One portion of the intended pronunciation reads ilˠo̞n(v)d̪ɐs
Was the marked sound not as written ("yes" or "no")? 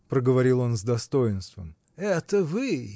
yes